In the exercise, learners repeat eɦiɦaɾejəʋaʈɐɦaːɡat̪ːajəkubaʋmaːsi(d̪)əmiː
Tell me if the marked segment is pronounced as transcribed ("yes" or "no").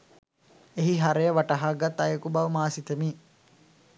no